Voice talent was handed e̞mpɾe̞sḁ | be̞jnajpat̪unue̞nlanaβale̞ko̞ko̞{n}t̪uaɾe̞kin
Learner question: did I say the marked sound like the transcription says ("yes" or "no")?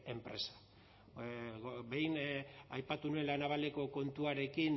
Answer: yes